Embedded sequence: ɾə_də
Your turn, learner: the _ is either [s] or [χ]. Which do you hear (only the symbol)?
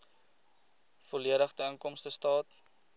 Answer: χ